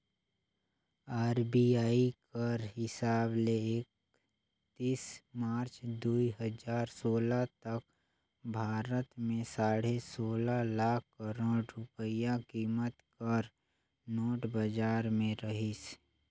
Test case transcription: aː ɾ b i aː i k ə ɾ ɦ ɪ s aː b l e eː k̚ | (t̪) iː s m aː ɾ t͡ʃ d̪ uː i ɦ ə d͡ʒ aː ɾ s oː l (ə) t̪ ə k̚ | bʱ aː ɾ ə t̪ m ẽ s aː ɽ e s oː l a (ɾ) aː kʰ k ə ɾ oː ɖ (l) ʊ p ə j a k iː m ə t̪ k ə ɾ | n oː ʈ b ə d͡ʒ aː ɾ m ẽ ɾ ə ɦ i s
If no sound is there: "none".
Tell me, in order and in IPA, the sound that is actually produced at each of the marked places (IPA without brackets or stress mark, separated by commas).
t̪, a, l, ɾ